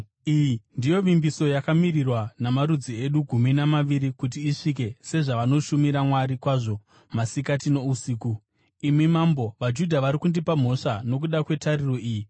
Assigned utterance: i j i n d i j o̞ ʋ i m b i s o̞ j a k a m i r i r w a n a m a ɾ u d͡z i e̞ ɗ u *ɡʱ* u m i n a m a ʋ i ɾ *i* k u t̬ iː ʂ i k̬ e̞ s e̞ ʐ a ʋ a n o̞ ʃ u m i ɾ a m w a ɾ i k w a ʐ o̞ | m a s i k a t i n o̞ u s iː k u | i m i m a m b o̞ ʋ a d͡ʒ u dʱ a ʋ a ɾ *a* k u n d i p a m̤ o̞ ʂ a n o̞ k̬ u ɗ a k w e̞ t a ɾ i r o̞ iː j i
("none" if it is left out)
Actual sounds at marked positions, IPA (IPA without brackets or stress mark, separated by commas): ɡʱ, i, i